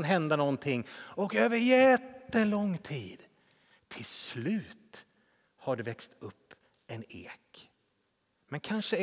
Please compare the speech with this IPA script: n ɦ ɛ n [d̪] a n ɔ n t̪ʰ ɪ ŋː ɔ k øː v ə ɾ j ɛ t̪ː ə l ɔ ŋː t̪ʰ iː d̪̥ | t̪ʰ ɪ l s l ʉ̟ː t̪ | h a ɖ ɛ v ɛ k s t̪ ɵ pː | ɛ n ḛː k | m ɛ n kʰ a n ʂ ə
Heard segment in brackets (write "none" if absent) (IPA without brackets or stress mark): d̪